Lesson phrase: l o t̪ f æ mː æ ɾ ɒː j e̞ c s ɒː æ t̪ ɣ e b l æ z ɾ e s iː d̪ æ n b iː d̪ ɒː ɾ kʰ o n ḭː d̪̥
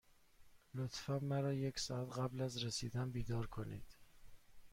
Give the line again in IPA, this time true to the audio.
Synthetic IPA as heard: l o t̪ f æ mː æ ɾ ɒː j e̞ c s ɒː æ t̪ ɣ æ b l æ z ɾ e s iː d̪ æ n b iː d̪ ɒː ɾ kʰ o n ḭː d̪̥

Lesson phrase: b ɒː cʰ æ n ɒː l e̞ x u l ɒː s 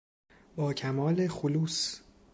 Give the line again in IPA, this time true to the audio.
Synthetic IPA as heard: b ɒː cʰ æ m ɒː l e̞ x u l uː s

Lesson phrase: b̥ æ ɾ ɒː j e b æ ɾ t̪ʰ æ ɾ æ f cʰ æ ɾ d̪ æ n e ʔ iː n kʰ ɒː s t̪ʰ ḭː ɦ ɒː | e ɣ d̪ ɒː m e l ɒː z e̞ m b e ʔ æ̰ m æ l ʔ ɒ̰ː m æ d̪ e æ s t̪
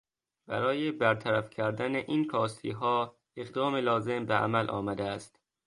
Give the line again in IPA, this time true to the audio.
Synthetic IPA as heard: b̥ æ ɾ ɒː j e b æ ɾ t̪ʰ æ ɾ æ f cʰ æ ɾ d̪ æ n e ʔ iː n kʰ ɒː s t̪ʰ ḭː ɦ ɒː | e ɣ d̪ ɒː m e l ɒː z e̞ m b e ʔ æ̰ m æ l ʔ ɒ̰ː m æ d̪ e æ s t̪

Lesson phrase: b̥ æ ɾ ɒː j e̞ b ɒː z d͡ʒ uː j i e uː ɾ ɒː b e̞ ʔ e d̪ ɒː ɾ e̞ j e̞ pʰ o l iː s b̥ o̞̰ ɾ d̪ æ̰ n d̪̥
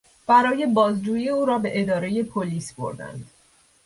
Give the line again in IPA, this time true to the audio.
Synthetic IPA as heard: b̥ æ ɾ ɒː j e̞ b ɒː z d͡ʒ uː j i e uː ɾ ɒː b e̞ ʔ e d̪ ɒː ɾ e̞ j e̞ pʰ o l iː s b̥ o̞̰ ɾ d̪ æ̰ n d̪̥

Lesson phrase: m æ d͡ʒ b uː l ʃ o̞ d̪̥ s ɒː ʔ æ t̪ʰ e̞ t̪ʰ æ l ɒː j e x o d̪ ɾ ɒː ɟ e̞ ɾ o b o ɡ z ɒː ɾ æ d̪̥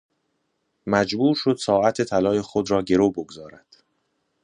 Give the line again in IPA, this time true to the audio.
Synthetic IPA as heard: m æ d͡ʒ b uː ɾ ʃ o̞ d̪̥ s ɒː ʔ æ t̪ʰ e̞ t̪ʰ æ l ɒː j e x o d̪ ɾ ɒː ɟ e̞ ɾ o b o ɡ z ɒː ɾ æ d̪̥

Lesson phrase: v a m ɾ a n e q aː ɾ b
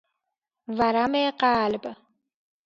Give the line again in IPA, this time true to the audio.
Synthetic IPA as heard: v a ɾ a m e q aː l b

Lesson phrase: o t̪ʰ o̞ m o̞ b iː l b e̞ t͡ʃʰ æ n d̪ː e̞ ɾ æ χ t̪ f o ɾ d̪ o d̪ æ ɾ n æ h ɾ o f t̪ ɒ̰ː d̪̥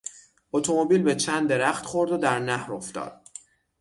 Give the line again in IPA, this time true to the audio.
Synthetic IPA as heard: o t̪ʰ o̞ m o̞ b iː l b e̞ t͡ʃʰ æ n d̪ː e̞ ɾ æ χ t̪ χ o ɾ d̪ o d̪ æ ɾ n æ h ɾ o f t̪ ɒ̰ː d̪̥

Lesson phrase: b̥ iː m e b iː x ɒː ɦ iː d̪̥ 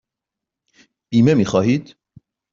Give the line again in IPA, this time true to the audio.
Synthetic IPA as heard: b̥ iː m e m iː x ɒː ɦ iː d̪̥

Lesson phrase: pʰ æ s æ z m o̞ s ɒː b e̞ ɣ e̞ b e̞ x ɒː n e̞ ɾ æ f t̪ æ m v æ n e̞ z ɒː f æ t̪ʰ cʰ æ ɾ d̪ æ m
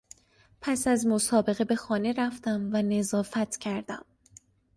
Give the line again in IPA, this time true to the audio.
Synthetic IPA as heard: pʰ æ s æ z m o̞ s ɒː b e̞ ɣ e̞ b e̞ x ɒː n e̞ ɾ æ f t̪ æ m v æ n e̞ z ɒː f æ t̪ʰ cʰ æ ɾ d̪ æ m

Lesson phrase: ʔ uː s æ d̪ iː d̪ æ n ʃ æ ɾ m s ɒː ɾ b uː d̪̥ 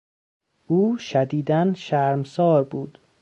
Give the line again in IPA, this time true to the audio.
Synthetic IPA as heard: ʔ uː ʃ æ d̪ iː d̪ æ n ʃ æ ɾ m s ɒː ɾ b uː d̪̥

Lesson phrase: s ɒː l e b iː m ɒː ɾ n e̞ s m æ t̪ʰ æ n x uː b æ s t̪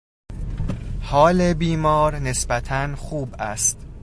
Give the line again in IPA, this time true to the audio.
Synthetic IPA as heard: h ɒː l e b iː m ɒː ɾ n e̞ s b æ t̪ʰ æ n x uː b æ s t̪

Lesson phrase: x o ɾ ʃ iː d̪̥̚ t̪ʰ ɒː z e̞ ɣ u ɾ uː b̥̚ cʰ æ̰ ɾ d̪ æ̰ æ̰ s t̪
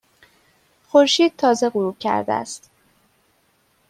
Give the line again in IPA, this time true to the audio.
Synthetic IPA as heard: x o ɾ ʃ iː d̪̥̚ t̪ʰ ɒː z e̞ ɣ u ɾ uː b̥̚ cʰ æ̰ ɾ d̪ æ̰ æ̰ s t̪

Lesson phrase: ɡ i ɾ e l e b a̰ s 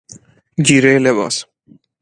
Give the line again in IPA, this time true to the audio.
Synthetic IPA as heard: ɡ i ɾ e l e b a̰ s

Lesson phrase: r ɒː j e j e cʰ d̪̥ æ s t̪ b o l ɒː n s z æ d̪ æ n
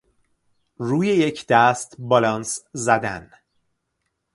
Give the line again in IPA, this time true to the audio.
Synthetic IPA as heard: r uː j e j e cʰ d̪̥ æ s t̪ b ɒ l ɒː n s z æ d̪ æ n

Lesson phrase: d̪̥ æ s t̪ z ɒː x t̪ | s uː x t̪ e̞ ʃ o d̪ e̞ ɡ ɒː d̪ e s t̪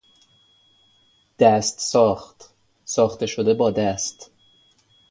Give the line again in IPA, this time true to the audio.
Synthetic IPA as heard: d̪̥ æ s t̪ s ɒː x t̪ | s ɒː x t̪ e̞ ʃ o d̪ e̞ b ɒː d̪ æ s t̪

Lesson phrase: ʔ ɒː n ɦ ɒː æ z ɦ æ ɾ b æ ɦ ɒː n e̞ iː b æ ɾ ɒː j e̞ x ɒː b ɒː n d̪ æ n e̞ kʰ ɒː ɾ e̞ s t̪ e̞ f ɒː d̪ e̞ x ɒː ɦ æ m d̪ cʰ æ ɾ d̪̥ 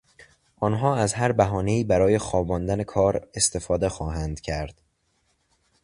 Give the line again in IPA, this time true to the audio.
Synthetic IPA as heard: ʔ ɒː n ɦ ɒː æ z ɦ æ ɾ b æ ɦ ɒː n e̞ iː b æ ɾ ɒː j e̞ x ɒː b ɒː n d̪ æ n e̞ kʰ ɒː ɾ e̞ s t̪ e̞ f ɒː d̪ e̞ x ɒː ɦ æ n d̪ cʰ æ ɾ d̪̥

